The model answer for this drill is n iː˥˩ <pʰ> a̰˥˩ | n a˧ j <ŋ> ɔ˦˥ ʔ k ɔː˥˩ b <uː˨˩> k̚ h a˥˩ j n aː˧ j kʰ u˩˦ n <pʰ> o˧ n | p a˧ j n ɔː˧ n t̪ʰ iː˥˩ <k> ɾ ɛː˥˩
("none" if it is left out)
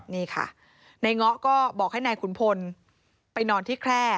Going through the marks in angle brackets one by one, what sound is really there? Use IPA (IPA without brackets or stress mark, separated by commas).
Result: kʰ, ŋ, ɔː˨˩, pʰ, kʰ